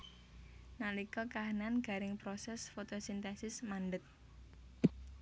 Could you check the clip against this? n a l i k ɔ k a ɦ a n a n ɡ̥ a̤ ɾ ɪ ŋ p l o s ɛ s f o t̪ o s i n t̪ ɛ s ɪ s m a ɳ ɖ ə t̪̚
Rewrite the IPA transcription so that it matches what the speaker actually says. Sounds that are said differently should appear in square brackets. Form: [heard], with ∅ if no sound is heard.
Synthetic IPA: n a l i k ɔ k a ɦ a n a n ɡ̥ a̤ ɾ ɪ ŋ p [ɾ] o s ɛ s f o t̪ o s i n t̪ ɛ s ɪ s m a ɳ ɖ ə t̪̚